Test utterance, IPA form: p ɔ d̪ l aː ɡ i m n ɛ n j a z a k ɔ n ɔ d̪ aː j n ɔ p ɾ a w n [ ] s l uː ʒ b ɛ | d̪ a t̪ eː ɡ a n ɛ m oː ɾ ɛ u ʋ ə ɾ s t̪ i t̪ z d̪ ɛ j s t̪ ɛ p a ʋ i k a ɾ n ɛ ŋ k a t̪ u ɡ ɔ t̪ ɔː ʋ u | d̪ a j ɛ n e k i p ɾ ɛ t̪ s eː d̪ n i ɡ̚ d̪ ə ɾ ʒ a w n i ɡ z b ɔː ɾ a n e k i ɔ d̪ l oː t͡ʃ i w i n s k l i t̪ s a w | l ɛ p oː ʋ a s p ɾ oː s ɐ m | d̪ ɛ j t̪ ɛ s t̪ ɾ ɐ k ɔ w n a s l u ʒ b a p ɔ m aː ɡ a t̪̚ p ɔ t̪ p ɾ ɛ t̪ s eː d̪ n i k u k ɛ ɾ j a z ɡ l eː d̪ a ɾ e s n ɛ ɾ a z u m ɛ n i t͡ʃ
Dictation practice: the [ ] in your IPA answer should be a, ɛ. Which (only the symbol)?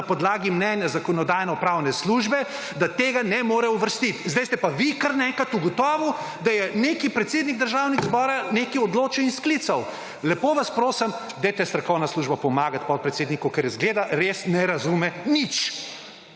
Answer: ɛ